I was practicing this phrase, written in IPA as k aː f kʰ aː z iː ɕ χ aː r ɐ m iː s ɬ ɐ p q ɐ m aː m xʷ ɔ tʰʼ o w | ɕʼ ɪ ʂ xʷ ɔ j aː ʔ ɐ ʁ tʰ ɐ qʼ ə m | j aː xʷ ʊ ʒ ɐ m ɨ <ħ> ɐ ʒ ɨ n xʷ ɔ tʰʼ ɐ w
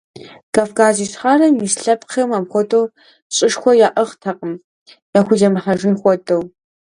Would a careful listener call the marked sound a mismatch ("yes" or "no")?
no